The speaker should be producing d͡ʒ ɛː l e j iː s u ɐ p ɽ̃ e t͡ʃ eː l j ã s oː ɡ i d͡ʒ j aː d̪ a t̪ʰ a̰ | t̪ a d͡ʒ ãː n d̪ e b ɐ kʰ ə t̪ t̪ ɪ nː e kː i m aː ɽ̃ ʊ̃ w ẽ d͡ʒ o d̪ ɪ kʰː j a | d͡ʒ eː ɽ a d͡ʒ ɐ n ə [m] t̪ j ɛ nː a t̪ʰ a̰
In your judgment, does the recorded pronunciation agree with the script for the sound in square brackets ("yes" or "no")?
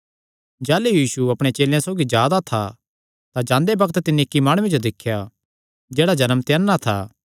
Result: yes